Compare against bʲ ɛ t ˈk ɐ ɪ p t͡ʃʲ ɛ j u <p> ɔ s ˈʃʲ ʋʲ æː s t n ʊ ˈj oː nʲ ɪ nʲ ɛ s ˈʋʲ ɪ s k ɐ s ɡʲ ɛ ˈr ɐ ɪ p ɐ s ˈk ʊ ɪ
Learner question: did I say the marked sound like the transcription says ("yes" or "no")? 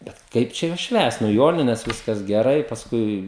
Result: no